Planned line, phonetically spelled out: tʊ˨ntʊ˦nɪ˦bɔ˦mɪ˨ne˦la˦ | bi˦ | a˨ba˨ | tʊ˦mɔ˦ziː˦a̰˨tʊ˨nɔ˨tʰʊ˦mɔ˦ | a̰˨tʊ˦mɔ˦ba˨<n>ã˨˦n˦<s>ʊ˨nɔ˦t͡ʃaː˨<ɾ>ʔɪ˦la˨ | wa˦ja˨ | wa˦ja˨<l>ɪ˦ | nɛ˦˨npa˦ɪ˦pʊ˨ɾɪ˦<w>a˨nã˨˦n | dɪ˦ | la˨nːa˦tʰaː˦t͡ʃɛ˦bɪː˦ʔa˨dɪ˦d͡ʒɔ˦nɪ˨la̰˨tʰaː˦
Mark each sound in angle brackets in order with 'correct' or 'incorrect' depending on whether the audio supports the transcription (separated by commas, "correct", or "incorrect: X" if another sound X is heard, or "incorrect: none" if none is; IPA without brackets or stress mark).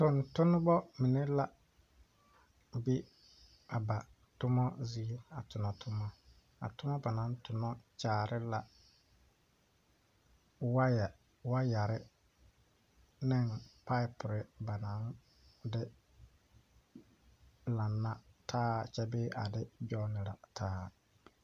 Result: correct, incorrect: t, correct, incorrect: ɾ, incorrect: b